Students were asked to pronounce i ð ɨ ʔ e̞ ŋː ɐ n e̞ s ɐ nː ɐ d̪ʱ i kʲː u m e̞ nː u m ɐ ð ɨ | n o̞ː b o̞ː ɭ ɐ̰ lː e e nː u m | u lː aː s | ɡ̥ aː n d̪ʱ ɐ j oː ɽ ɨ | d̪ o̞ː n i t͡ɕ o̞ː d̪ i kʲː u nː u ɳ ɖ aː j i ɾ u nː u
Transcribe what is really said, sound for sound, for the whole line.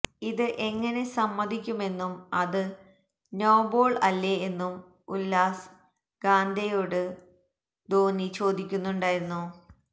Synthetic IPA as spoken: i ð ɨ ʔ e̞ ŋː ɐ n e̞ s ɐ mː ɐ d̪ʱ i kʲː u m e̞ nː u m ɐ ð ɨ | n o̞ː b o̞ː ɭ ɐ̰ lː e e nː u m | u lː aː s | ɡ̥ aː n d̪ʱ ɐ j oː ɽ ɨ | d̪ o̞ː n i t͡ɕ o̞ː d̪ i kʲː u nː u ɳ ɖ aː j i ɾ u nː u

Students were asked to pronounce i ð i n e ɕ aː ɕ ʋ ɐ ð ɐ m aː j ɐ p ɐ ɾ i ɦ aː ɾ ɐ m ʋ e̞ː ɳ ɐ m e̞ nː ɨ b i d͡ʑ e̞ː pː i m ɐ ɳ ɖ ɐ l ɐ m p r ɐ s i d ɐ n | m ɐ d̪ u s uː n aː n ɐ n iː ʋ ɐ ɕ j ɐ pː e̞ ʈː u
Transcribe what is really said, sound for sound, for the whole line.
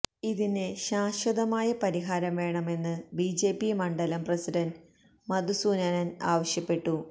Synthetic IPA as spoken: i ð i n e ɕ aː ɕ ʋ ɐ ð ɐ m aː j ɐ p ɐ ɾ i ɦ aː ɾ ɐ m ʋ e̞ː ɳ ɐ m e̞ nː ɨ b i d͡ʑ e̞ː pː i m ɐ ɳ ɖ ɐ l ɐ m p r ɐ s i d ɐ n | m ɐ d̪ u s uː n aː n ɐ n aː ʋ ɐ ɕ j ɐ pː e̞ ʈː u

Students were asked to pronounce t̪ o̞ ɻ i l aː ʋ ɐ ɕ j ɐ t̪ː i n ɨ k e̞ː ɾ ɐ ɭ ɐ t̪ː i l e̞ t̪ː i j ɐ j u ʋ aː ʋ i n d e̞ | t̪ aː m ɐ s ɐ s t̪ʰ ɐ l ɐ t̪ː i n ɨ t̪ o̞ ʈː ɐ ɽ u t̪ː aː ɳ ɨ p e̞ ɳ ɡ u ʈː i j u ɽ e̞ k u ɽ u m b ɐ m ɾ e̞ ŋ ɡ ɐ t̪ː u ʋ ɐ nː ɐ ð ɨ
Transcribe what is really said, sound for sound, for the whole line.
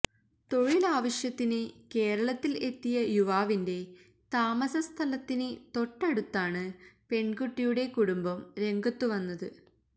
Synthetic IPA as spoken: t̪ o̞ ɻ i l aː ʋ ɐ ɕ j ɐ t̪ː i n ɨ k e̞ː ɾ ɐ ɭ ɐ t̪ː i l e̞ t̪ː i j ɐ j u ʋ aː ʋ i n d e̞ | t̪ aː m ɐ s ɐ s t̪ʰ ɐ l ɐ t̪ː i n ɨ t̪ o̞ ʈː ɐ ɽ u t̪ː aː ɳ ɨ p e̞ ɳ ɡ u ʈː i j u ɽ e̞ k u ɽ u m b ɐ m ɾ e̞ ŋ ɡ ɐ t̪ː u ʋ ɐ nː ɐ ð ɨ

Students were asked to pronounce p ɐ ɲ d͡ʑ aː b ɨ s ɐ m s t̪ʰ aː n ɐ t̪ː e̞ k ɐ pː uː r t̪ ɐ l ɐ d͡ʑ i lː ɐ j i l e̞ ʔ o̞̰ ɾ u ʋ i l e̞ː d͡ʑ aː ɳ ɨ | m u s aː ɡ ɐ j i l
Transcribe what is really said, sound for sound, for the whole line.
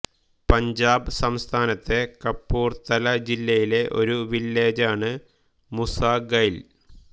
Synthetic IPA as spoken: p ɐ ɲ d͡ʑ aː b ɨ s ɐ m s t̪ʰ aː n ɐ t̪ː e̞ k ɐ pː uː r t̪ ɐ l ɐ d͡ʑ i lː ɐ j i l e̞ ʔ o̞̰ ɾ u ʋ i lː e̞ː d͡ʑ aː ɳ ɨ | m u s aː ɡ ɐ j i l

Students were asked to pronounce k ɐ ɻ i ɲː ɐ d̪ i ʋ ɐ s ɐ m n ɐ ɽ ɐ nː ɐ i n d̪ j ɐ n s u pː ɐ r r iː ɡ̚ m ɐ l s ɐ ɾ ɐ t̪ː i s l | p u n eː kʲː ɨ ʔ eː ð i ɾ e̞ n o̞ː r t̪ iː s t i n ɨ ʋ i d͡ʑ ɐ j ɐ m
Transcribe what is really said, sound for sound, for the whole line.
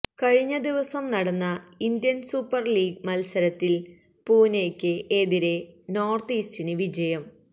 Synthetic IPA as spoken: k ɐ ɻ i ɲː ɐ d̪ i ʋ ɐ s ɐ m n ɐ ɽ ɐ nː ɐ i n d̪ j ɐ n s u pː ɐ r l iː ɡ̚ m ɐ l s ɐ ɾ ɐ t̪ː i l | p uː n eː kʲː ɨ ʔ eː ð i ɾ e̞ n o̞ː r t̪ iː s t i n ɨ ʋ i d͡ʑ ɐ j ɐ m

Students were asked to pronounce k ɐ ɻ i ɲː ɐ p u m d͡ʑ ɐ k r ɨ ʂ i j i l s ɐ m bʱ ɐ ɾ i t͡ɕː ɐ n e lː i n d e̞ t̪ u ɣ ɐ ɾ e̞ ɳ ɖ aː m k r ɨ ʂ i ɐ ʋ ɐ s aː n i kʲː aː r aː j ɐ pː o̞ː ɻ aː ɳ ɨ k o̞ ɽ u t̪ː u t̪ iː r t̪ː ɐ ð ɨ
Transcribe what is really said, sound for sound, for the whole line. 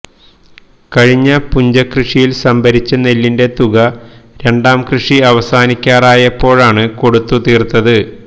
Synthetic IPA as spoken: k ɐ ɻ i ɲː ɐ p u ɲ d͡ʑ ɐ k r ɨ ʂ i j i l s ɐ m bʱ ɐ ɾ i t͡ɕː ɐ n e lː i n d e̞ t̪ u ɣ ɐ ɾ e̞ ɳ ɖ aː m k r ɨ ʂ i ɐ ʋ ɐ s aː n i kʲː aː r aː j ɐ pː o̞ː ɻ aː ɳ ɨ k o̞ ɽ u t̪ː u t̪ iː r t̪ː ɐ ð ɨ

